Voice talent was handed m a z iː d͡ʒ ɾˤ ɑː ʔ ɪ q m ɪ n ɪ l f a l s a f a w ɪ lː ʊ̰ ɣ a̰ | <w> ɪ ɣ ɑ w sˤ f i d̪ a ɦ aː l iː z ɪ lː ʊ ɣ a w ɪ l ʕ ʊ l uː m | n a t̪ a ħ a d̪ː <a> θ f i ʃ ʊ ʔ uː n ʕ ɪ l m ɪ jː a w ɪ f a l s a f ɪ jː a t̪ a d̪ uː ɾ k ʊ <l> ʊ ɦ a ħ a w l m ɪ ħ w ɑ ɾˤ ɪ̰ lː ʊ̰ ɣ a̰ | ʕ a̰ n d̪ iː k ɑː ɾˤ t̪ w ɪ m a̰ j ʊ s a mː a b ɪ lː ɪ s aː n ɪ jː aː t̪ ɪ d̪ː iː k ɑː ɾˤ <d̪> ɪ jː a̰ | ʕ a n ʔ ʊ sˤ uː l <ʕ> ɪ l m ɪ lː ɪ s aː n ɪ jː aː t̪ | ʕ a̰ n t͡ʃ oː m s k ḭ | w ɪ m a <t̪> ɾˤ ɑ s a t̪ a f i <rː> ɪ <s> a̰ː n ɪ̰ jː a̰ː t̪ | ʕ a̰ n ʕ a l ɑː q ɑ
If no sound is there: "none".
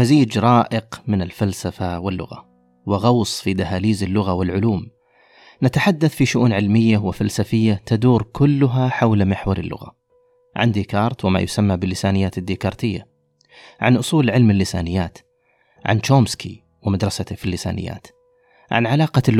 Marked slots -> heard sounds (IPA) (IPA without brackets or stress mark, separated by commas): w, a, lː, t̪, ʕ, d̪, lː, s